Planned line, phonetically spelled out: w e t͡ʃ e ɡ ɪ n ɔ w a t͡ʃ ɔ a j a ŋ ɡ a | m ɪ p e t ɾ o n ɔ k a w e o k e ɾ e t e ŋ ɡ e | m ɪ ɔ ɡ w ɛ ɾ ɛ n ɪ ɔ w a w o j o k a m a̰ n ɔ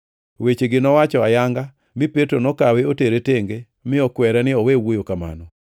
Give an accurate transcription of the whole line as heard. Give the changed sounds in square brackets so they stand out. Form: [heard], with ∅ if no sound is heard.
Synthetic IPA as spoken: w e t͡ʃ e ɡ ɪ n ɔ w a t͡ʃ ɔ a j a ŋ ɡ a | m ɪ p e t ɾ o n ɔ k a w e o [t] e ɾ e t e ŋ ɡ e | m ɪ ɔ [k] w ɛ ɾ ɛ n ɪ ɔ w [e] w o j o k a m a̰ n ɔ

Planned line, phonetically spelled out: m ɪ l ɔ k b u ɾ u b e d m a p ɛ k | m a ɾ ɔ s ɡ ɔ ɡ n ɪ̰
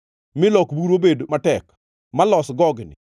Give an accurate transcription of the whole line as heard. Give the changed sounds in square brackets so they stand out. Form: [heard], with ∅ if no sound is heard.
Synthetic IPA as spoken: m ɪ l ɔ k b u ɾ [o] b e d m a [t] ɛ k | m a [l] ɔ s ɡ ɔ ɡ n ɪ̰

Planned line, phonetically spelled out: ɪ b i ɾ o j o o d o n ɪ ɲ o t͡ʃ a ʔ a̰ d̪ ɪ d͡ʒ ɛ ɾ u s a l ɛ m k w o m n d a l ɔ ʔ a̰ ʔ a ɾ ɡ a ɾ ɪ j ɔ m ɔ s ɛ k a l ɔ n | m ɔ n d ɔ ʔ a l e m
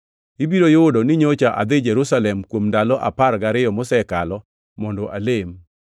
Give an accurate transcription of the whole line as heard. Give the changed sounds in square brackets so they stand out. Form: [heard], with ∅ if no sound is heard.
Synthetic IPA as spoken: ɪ b i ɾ o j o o d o n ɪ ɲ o t͡ʃ a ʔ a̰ d̪ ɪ d͡ʒ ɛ ɾ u s a l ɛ m k w o m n d a l ɔ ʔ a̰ [p] a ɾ ɡ a ɾ ɪ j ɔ m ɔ s ɛ k a l ɔ [∅] | m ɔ n d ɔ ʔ a l e m

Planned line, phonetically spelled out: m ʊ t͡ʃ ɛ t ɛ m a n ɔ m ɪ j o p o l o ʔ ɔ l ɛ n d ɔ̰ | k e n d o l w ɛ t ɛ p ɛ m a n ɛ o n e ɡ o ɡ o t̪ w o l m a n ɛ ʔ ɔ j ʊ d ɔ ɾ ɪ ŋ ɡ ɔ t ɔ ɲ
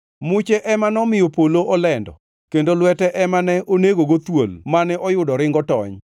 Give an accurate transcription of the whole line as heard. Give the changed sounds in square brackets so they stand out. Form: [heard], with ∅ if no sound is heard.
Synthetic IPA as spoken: m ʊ t͡ʃ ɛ [ʔ] ɛ m a n ɔ m ɪ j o p o l o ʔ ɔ l ɛ n d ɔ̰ | k e n d o l w ɛ t ɛ [ʔ] ɛ m a n ɛ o n e ɡ o ɡ o t̪ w o l m a n ɛ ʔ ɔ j ʊ d ɔ ɾ ɪ ŋ ɡ ɔ t ɔ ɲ

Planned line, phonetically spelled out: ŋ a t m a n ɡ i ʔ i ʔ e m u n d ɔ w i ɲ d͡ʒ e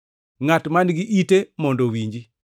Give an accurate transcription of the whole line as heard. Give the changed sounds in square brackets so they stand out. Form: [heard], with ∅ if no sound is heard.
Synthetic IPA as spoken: ŋ a t m a n ɡ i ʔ i [t] e m [ɔ] n d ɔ w i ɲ d͡ʒ [i]

